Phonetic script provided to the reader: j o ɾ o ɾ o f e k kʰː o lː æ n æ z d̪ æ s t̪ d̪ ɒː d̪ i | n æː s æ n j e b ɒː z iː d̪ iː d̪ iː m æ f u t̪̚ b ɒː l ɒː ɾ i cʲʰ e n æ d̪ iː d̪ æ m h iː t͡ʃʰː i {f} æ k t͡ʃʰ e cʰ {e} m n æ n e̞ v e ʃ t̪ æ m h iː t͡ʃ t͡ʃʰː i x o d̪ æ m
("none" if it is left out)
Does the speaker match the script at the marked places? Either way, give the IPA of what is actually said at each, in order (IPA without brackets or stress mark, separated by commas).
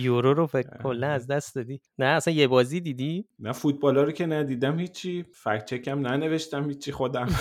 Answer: f, æ